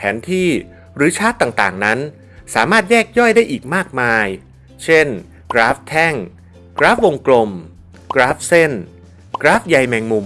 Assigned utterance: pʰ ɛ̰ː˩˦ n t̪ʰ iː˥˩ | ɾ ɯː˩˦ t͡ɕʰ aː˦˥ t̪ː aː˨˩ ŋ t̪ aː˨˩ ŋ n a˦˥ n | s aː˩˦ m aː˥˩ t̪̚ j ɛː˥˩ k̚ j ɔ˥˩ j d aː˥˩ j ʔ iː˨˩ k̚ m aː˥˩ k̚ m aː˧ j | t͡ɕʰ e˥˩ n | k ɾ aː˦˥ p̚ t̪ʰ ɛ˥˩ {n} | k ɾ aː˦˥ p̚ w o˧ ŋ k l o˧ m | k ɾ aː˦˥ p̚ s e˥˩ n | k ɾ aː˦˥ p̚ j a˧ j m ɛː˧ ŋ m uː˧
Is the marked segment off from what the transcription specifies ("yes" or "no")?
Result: yes